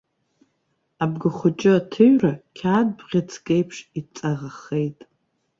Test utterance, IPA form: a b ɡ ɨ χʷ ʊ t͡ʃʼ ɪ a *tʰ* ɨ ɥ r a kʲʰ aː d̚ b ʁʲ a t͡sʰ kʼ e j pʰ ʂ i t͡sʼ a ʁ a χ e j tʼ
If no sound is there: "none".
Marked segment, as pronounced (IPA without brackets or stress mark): tʰ